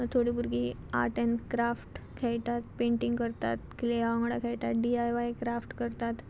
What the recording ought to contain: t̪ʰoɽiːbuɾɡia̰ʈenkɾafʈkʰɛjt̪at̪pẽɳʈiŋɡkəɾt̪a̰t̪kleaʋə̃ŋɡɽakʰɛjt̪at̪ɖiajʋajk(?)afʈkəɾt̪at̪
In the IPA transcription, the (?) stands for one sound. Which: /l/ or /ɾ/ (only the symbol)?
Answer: ɾ